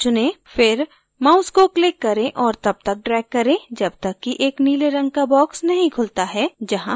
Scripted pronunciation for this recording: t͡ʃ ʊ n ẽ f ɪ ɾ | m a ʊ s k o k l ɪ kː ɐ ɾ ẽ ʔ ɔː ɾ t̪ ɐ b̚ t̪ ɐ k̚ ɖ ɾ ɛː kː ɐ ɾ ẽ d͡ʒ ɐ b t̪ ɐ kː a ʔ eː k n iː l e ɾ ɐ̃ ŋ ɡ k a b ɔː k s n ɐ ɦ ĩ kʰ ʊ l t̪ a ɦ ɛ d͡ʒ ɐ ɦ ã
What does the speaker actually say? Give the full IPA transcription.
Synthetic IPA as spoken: t͡ʃ ʊ n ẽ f ɪ ɾ | m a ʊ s k o k l ɪ kː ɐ ɾ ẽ ʔ ɔː ɾ t̪ ɐ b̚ t̪ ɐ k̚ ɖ ɾ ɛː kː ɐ ɾ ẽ d͡ʒ ɐ b t̪ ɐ kː i ʔ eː k n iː l e ɾ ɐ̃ ŋ ɡ k a b ɔː k s n ɐ ɦ ĩ kʰ ʊ l t̪ a ɦ ɛ d͡ʒ ɐ ɦ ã